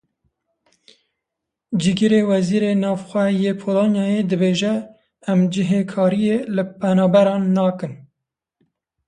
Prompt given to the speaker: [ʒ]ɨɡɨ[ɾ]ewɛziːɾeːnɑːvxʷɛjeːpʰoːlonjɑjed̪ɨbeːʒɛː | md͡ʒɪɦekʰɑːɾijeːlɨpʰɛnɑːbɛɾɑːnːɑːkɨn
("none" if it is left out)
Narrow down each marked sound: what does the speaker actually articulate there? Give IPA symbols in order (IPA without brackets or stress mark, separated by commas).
d͡ʒ, ɾ